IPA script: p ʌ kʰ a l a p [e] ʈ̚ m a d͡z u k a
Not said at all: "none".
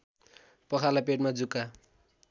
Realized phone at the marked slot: e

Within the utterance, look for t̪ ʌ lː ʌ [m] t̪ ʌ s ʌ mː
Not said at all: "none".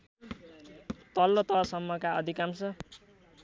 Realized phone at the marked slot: none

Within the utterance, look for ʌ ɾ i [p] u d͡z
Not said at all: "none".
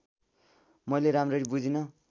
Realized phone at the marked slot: b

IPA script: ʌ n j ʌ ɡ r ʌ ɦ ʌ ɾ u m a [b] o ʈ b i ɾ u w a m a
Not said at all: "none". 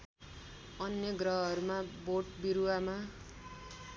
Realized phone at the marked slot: b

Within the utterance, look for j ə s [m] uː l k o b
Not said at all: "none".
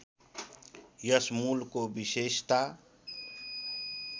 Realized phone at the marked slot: m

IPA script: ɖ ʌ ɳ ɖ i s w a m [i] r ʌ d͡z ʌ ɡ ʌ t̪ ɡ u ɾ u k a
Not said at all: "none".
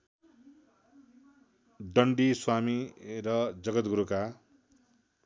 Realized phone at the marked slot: i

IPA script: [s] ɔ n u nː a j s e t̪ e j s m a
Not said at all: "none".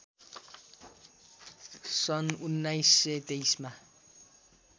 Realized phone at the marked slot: s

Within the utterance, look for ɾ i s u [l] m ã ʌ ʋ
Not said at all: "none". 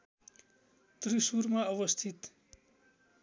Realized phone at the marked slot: ɾ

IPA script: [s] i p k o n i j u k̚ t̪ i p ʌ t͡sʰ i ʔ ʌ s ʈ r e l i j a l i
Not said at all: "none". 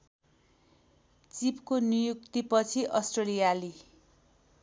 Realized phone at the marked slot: t͡s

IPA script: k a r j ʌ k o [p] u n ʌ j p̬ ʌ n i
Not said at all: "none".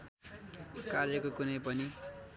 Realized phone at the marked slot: k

